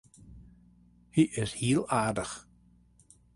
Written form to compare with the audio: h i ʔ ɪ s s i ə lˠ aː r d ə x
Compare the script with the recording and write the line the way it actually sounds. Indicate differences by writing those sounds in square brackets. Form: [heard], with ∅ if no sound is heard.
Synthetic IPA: h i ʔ ɪ s [h] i ə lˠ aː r d ə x